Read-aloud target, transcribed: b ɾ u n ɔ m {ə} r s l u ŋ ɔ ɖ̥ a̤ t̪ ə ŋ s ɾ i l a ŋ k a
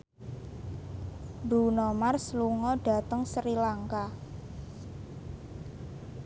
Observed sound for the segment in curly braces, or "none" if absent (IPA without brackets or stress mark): a